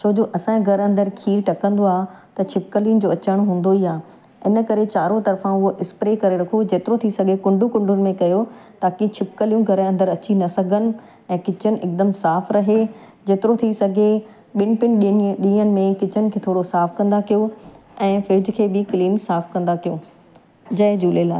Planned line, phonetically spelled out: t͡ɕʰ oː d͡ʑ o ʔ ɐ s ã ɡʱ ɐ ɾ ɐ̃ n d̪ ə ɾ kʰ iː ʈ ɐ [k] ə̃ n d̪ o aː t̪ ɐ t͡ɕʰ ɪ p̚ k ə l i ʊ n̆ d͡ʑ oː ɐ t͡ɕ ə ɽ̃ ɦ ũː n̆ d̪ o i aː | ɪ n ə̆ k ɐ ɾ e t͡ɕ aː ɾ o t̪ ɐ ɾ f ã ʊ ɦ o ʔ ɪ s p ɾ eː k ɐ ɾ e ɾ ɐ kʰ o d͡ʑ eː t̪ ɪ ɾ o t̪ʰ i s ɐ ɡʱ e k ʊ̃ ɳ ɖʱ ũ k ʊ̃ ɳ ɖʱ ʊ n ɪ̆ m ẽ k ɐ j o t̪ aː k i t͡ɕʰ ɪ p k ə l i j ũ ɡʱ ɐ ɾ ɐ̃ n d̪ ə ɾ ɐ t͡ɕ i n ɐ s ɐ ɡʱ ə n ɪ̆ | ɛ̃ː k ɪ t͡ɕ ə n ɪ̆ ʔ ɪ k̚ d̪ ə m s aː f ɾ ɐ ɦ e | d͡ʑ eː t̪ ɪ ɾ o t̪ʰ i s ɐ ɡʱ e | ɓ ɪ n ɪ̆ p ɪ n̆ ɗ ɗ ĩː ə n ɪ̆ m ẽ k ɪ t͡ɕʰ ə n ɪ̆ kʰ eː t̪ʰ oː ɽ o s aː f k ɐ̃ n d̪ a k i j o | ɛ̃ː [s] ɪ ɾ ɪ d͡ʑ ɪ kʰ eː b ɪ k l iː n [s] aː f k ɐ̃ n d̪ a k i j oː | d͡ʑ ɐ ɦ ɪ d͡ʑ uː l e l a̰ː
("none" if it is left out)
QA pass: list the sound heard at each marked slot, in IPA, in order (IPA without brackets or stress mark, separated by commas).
k, f, s